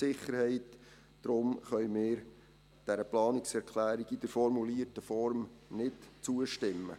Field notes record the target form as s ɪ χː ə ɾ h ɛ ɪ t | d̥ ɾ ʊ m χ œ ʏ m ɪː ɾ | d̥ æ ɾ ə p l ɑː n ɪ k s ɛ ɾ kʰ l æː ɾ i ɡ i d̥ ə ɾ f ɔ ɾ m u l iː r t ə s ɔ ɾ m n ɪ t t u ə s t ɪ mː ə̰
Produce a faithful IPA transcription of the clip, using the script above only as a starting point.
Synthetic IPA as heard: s ɪ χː ə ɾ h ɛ ɪ t | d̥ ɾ ʊ m χ œ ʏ m ɪː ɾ | d̥ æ ɾ ə p l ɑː n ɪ k s ɛ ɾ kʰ l æː ɾ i ɡ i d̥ ə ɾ f ɔ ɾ m u l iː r t ə f ɔ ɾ m n ɪ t t͡s u ə ʃ t ɪ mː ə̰